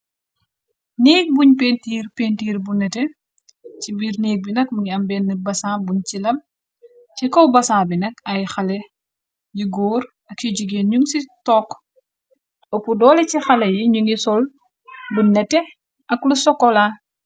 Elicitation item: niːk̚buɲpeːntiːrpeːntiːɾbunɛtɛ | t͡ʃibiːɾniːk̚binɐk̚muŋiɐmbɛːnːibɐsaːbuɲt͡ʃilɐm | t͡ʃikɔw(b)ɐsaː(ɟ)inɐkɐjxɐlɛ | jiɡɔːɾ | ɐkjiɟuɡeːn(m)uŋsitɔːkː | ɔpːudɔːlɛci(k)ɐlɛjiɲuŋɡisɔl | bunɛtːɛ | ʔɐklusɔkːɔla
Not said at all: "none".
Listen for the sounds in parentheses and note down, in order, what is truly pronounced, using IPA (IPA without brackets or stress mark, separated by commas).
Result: b, b, ɲ, x